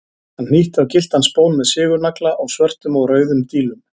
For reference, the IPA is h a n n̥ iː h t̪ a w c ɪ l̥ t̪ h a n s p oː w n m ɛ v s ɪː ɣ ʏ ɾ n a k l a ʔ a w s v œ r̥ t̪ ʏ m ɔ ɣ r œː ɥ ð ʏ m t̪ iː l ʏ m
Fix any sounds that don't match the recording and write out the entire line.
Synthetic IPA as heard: h a n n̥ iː h t̪ a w c ɪ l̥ t̪ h a n s p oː w n m ɛ ð s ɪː ɣ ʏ ɾ n a k l a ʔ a w s v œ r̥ t̪ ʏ m ɔ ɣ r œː ɥ ð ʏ m t̪ iː l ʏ m